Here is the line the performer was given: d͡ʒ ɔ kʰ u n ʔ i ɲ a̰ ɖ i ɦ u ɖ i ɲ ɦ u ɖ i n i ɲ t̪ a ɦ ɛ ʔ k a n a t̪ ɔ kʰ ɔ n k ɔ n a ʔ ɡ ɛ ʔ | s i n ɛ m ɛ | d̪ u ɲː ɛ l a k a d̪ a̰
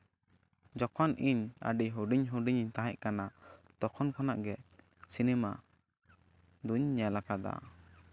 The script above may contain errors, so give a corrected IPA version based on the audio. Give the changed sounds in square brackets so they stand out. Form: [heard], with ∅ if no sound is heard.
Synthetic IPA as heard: d͡ʒ ɔ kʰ [ɔ] n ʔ i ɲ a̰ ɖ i ɦ u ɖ i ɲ ɦ u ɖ i [ɲ] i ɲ t̪ a ɦ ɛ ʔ k a n a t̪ ɔ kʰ ɔ n k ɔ n a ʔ ɡ ɛ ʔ | s i n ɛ m [a] | d̪ u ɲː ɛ l a k a d̪ a̰